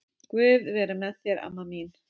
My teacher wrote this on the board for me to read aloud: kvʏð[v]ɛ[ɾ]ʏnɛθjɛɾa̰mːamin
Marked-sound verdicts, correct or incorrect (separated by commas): correct, correct